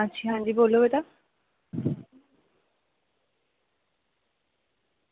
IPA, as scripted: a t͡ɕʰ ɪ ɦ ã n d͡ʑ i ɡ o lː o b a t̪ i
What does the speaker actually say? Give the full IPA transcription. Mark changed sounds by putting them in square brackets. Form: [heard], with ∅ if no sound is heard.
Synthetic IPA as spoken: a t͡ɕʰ [i] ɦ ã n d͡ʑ i [b] o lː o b [e] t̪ [a]